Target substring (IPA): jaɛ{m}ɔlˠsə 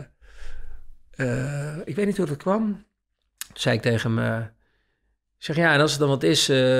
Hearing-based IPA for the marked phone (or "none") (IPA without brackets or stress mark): n